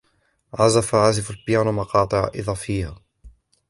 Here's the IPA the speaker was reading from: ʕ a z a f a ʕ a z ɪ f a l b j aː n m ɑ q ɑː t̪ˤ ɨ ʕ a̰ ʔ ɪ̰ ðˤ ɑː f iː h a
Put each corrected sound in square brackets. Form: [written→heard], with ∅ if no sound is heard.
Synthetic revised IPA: ʕ a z a f a ʕ a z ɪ f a l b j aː n m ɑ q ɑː t̪ˤ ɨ ʕ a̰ ʔ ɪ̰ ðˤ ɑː f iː h a